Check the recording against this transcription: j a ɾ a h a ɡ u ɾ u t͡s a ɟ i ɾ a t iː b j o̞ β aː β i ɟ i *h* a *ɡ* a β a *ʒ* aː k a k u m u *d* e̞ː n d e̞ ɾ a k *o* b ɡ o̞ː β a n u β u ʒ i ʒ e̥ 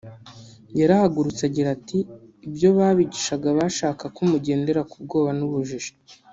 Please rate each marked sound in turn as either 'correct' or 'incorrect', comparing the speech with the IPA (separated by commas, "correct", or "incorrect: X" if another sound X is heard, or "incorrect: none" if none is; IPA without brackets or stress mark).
incorrect: ʃ, correct, incorrect: ʃ, incorrect: ɟ, incorrect: u